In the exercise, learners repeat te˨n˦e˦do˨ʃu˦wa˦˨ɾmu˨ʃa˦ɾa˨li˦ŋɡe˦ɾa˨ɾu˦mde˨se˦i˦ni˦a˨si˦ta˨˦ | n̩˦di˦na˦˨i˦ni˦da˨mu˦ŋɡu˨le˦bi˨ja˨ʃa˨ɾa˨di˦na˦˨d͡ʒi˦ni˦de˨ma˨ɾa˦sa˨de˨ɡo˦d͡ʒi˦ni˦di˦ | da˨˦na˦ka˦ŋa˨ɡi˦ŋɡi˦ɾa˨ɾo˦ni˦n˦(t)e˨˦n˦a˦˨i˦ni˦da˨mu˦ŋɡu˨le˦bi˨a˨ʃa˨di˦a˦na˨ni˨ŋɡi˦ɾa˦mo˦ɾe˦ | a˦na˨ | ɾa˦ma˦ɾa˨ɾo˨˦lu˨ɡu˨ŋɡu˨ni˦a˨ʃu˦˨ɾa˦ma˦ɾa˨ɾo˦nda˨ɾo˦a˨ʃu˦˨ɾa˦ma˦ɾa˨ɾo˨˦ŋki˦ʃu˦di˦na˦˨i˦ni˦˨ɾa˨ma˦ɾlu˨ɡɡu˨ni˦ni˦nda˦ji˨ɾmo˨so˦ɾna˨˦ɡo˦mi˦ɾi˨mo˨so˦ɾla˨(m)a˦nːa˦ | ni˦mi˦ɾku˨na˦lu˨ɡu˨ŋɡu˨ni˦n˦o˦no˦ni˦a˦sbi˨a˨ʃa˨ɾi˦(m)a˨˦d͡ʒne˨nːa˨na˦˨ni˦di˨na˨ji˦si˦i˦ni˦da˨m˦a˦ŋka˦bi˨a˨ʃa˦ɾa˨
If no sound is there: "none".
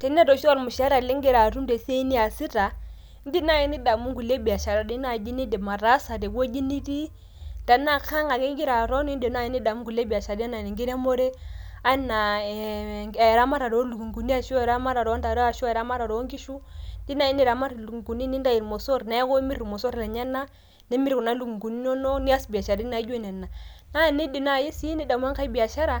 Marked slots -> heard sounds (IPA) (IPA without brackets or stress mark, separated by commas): d, ɲ, n